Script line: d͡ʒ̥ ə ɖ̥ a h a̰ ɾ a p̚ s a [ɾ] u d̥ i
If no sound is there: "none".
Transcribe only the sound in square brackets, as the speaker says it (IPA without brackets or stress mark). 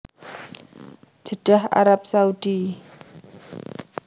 none